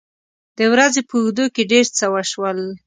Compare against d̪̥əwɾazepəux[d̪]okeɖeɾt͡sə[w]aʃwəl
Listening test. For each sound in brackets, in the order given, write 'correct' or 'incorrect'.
correct, correct

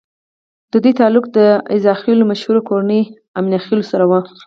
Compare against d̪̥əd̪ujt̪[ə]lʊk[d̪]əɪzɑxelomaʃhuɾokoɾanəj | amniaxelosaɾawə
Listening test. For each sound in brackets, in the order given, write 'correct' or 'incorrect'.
incorrect, correct

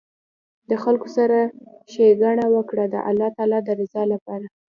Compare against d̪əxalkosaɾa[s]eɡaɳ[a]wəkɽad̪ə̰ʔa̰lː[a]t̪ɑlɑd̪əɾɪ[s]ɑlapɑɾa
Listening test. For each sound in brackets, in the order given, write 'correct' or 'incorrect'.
incorrect, correct, incorrect, incorrect

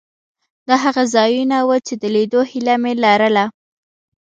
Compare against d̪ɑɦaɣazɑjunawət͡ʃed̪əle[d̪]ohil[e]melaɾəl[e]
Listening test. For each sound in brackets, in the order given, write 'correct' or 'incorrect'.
correct, incorrect, incorrect

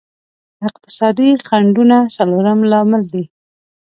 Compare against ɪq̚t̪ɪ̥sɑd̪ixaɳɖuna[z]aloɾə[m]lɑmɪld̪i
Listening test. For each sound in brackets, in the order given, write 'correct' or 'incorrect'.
incorrect, correct

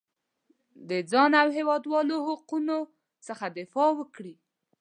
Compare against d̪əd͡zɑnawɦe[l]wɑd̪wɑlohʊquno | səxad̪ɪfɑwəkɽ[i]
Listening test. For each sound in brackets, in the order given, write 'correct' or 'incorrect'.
incorrect, correct

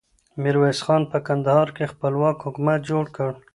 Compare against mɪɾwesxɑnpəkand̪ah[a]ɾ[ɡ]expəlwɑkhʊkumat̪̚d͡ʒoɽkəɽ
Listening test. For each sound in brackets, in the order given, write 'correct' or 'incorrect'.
incorrect, incorrect

